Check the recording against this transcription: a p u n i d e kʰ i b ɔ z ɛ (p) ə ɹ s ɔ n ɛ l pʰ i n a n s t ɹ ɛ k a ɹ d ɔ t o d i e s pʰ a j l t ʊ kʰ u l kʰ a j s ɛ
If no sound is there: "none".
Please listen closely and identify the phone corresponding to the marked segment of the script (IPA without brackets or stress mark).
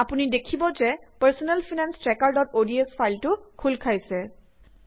p